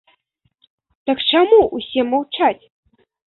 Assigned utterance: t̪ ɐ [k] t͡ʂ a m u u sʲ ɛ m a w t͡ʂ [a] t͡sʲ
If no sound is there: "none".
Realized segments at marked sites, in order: k, a

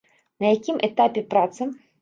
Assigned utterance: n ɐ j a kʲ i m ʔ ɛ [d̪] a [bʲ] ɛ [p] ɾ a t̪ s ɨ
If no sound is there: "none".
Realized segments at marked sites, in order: t̪, pʲ, p

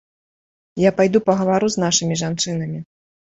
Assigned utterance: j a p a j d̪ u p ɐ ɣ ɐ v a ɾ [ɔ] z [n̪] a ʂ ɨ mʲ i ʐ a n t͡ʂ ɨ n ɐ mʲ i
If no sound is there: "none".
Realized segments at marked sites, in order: u, n̪

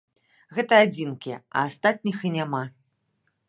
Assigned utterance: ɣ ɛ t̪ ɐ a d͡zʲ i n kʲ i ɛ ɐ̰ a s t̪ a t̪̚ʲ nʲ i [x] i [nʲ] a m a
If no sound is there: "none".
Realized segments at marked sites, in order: x, nʲ

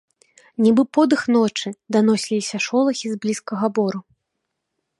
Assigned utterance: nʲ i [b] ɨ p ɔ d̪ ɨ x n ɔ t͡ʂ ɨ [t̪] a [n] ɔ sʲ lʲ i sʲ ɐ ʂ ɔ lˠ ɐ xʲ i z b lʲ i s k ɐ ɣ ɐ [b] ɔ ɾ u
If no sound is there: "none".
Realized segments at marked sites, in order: b, d̪, n, b

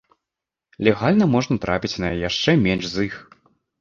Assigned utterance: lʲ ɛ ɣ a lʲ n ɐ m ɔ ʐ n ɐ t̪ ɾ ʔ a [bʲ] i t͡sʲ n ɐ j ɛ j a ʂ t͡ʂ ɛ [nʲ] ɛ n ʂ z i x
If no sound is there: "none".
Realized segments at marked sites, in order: pʲ, mʲ

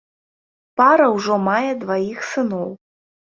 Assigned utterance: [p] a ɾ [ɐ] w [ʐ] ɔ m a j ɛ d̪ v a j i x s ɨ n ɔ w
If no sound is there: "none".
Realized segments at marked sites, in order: p, ɐ, ʐ

